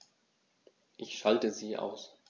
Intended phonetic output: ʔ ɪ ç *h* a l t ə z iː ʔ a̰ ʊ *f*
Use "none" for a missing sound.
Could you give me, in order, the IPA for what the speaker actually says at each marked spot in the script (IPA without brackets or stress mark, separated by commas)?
ʃ, s